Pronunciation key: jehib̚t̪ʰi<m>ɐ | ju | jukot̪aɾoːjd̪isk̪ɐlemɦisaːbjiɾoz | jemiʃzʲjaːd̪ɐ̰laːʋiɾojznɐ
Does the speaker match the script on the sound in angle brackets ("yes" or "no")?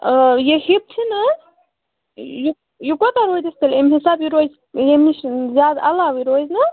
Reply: no